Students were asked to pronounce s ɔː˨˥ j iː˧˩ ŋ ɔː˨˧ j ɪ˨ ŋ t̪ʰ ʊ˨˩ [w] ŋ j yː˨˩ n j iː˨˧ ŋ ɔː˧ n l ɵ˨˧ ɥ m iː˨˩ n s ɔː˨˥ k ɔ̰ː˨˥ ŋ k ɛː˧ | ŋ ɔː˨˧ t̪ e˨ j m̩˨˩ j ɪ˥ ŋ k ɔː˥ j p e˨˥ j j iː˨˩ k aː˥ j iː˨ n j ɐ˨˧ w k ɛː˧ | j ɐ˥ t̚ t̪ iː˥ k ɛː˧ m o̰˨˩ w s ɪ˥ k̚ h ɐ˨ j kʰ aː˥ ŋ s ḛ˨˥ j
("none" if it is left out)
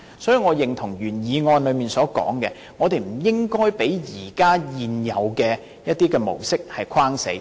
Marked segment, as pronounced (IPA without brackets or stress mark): none